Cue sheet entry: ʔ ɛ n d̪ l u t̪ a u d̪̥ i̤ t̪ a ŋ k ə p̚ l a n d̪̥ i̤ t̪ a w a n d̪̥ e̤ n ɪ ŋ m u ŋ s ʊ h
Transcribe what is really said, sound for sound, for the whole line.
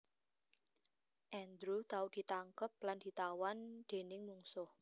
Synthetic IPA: ʔ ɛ n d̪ ɾ u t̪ a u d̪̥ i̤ t̪ a ŋ k ə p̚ l a n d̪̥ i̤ t̪ a w a n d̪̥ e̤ n ɪ ŋ m u ŋ s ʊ h